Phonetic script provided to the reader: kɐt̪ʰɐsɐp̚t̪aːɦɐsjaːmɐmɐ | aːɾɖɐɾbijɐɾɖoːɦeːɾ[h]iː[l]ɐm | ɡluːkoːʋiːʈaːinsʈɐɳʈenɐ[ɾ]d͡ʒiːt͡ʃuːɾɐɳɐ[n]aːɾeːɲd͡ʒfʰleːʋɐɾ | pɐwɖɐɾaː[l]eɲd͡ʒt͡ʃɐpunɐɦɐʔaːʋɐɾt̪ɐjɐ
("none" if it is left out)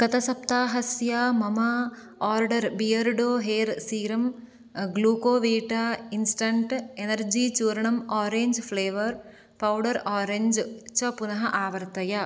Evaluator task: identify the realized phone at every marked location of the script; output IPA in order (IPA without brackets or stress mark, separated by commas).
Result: s, ɾ, ɾ, m, ɾ